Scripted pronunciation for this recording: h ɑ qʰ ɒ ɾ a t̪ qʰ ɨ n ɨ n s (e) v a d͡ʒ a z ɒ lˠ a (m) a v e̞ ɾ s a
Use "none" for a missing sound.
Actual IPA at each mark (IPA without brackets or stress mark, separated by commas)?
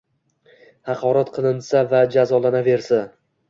a, n